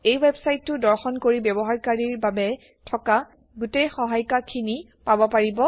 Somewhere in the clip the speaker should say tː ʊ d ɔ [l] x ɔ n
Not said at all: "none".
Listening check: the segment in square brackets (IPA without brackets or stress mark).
ɹ